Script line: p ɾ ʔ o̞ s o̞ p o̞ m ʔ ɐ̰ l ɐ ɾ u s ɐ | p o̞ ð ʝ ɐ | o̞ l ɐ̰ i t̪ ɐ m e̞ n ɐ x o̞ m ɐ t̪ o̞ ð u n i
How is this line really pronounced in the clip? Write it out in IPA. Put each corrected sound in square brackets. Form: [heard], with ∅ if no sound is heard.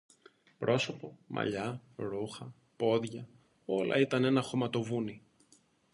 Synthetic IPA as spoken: p ɾ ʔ o̞ s o̞ p o̞ m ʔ ɐ̰ [ʎ] ɐ ɾ u [x] ɐ | p o̞ ð ʝ ɐ | o̞ l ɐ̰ i t̪ ɐ [n] e̞ n ɐ x o̞ m ɐ t̪ o̞ [v] u n i